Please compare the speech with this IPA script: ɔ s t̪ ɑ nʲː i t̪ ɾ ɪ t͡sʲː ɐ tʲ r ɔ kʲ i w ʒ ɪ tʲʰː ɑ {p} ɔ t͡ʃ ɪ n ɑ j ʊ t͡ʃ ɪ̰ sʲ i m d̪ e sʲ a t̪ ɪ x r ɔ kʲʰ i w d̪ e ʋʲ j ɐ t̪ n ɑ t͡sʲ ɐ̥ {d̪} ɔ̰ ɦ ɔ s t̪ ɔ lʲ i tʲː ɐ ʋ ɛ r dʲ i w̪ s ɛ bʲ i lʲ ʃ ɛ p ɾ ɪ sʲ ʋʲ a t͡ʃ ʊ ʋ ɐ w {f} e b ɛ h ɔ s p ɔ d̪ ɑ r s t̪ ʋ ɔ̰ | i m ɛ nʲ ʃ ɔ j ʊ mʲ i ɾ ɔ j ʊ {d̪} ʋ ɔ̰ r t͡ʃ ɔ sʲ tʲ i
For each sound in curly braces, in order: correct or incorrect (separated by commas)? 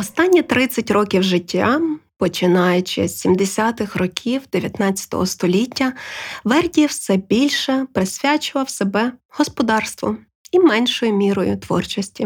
correct, incorrect, incorrect, incorrect